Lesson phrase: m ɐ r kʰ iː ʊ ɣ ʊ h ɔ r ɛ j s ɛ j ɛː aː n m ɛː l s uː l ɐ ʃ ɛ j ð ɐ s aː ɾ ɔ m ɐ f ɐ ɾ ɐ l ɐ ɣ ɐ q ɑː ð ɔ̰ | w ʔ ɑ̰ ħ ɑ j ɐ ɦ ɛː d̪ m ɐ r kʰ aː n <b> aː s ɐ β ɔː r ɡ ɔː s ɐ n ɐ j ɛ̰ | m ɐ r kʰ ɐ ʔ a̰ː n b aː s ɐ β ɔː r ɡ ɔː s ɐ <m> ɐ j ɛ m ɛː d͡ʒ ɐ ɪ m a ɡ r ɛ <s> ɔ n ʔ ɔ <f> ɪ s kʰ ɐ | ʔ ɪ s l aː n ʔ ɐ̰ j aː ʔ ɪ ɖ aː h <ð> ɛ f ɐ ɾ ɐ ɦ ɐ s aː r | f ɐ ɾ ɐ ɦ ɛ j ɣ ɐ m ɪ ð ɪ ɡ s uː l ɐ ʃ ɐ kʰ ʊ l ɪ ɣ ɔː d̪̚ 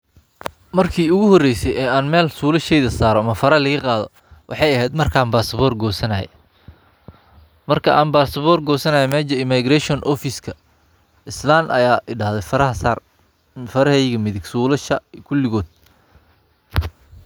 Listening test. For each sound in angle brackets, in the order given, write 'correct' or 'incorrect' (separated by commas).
correct, incorrect, incorrect, correct, correct